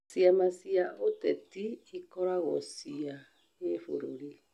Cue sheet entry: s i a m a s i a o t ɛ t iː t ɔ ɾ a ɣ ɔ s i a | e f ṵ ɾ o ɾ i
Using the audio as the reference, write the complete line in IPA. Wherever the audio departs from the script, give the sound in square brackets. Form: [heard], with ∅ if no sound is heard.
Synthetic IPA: s i a m a s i a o t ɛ t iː [k] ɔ ɾ a ɣ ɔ s i a | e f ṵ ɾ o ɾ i